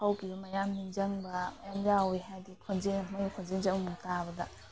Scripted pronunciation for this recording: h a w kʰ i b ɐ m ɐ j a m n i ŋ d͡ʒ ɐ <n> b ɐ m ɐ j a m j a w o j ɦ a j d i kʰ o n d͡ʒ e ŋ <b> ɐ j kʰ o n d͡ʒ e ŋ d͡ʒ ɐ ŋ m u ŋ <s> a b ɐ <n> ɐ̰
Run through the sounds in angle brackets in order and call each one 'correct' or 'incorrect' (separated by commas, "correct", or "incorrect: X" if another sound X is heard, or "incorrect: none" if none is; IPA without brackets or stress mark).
incorrect: ŋ, incorrect: m, incorrect: t, incorrect: d